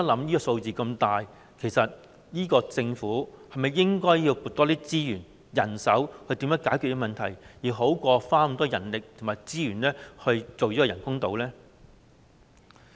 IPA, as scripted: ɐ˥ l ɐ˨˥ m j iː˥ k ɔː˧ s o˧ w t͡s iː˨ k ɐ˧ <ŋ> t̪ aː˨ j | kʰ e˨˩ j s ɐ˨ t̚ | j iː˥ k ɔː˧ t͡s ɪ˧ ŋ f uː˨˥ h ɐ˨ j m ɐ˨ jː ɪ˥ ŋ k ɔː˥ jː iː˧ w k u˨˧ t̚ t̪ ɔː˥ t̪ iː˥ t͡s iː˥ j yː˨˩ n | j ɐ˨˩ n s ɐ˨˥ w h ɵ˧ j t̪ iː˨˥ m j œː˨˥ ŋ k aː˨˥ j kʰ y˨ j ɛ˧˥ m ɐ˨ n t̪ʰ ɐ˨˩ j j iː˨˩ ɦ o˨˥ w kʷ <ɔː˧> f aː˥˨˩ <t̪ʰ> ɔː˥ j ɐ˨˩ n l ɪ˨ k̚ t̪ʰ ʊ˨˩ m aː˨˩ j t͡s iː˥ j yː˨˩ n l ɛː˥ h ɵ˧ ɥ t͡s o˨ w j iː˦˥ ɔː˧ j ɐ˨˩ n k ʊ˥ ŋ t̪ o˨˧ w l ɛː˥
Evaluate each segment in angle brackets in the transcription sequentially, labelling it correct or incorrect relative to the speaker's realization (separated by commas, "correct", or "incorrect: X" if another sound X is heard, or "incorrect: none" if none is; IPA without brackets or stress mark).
incorrect: m, correct, incorrect: t̪